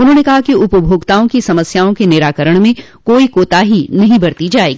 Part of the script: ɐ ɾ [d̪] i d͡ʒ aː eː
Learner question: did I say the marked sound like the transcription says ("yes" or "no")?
no